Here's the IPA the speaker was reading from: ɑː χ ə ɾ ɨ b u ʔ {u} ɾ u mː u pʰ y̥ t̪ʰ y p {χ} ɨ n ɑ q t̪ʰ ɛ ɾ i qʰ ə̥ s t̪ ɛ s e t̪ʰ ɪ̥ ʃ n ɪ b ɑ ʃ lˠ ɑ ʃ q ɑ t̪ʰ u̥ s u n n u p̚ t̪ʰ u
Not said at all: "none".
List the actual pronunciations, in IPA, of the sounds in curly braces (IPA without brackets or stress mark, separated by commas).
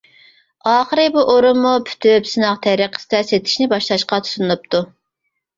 o, s